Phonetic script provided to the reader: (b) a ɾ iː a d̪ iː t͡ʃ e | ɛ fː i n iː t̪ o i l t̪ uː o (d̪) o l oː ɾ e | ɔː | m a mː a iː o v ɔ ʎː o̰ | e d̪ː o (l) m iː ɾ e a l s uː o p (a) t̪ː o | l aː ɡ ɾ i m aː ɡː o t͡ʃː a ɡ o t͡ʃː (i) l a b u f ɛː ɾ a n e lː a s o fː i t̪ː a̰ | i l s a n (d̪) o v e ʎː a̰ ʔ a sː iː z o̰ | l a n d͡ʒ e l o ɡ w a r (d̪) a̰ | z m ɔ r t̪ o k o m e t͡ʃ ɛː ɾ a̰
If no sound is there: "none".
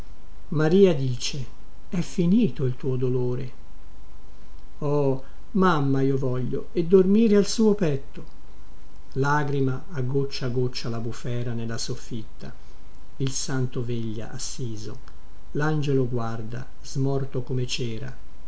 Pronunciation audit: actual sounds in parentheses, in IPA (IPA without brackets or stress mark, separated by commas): m, d̪, r, ɛ, a, t̪, d̪